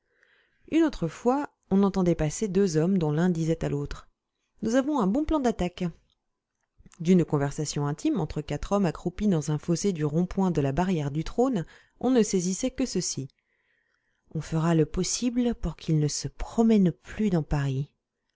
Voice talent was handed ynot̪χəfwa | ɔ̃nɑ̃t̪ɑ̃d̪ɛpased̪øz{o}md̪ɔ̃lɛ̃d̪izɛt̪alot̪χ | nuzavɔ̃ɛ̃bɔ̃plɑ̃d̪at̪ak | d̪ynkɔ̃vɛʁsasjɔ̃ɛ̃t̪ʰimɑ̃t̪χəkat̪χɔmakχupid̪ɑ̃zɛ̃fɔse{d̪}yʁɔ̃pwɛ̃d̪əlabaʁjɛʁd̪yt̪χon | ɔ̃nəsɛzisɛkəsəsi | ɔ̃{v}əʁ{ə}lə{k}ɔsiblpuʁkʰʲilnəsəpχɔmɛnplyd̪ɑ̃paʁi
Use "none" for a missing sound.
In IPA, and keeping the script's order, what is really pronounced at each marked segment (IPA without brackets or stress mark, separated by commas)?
ɔ, d̪, f, a, p